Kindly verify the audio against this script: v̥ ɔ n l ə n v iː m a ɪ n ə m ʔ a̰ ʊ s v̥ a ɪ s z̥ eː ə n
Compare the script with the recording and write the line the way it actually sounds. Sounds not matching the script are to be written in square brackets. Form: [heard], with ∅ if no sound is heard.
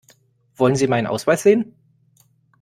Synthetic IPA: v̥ ɔ [∅] l ə n [z] iː m a ɪ n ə [n] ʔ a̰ ʊ s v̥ a ɪ s z̥ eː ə n